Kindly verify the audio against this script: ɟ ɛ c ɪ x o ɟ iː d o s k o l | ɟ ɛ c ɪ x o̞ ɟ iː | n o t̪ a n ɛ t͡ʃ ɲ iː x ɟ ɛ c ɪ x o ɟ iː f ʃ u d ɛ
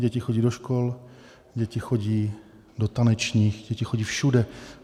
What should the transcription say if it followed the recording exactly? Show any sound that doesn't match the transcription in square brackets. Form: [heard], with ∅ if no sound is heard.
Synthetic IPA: ɟ ɛ c ɪ x o ɟ iː d o [ʃ] k o l | ɟ ɛ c ɪ x o̞ ɟ iː | [d] o t̪ a n ɛ t͡ʃ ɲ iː x ɟ ɛ c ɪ x o ɟ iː f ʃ u d ɛ

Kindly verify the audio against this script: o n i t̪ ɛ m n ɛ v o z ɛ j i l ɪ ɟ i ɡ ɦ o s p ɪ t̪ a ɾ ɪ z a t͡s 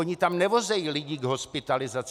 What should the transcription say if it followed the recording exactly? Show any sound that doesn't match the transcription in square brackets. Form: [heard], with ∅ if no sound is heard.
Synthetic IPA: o [ɲ] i t̪ [a] m n ɛ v o z ɛ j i l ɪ ɟ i ɡ ɦ o s p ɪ t̪ a [l] ɪ z a t͡s

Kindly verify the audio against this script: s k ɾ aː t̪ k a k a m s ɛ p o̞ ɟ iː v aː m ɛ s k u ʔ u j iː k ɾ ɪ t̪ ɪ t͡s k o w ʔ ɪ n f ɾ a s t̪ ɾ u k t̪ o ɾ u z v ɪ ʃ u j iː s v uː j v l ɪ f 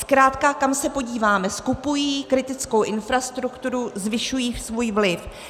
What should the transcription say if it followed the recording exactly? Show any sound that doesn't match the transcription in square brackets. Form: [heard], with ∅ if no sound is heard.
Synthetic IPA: s k ɾ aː t̪ k a k a m s ɛ p o̞ ɟ iː v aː m ɛ s k u [p] u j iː k ɾ ɪ t̪ ɪ t͡s k o w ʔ ɪ n f ɾ a s t̪ ɾ u k t̪ [u] ɾ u z v ɪ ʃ u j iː s v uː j v l ɪ f

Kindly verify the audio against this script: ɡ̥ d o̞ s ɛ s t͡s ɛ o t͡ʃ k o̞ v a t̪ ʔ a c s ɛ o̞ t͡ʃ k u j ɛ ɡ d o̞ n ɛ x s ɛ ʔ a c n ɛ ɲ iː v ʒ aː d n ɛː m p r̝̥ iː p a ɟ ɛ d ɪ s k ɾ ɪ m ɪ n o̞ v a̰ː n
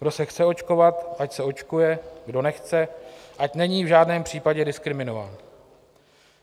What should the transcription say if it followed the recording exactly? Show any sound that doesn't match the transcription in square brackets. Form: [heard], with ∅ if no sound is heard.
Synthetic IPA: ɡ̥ d o̞ s ɛ [x] t͡s ɛ o t͡ʃ k o̞ v a t̪ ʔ a c s ɛ o̞ t͡ʃ k u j ɛ ɡ d o̞ n ɛ x [t͡s] ɛ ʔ a c n ɛ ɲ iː v ʒ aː d n ɛː m p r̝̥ iː p a ɟ ɛ d ɪ s k ɾ ɪ m ɪ n o̞ v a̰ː n

